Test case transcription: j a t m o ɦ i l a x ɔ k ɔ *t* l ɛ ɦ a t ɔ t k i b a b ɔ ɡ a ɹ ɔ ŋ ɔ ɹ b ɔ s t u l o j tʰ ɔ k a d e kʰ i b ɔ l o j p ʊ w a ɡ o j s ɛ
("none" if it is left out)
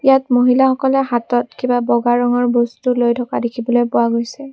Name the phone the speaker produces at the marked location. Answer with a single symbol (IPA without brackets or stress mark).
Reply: none